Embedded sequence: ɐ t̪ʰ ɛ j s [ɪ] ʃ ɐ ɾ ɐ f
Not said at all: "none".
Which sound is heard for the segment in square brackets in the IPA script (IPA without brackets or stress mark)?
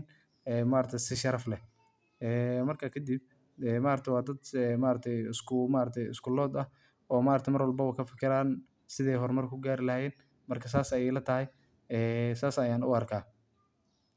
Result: ɪ